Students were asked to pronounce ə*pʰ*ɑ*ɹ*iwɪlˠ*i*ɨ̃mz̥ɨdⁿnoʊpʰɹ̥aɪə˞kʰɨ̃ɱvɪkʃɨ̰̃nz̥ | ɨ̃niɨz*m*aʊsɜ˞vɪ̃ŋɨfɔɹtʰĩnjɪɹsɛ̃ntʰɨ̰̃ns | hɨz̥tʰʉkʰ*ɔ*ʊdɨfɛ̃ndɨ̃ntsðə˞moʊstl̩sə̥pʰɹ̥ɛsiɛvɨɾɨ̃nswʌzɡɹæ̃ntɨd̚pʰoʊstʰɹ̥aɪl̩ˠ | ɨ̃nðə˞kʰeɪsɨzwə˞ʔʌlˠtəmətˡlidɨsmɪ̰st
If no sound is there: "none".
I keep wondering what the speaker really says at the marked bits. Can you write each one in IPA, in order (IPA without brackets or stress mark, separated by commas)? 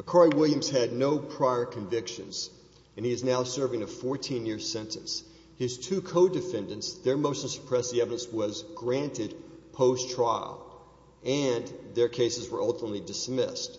kʰ, ɹ, j, n, o